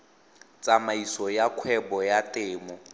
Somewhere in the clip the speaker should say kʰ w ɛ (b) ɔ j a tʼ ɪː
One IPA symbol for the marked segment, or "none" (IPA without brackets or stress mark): b